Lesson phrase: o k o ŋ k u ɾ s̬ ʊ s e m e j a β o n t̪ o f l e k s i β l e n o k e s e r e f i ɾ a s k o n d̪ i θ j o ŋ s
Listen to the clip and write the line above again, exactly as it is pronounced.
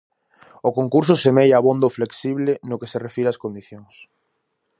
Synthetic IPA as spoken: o k o ŋ k u ɾ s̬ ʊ s e m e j a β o n d̪ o f l e k s i β l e n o k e s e r e f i ɾ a s k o n d̪ i θ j o ŋ s